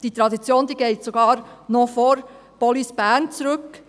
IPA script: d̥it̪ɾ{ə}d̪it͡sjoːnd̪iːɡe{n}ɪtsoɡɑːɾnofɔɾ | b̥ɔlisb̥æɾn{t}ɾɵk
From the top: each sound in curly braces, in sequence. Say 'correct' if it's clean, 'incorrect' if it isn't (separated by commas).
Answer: incorrect, incorrect, incorrect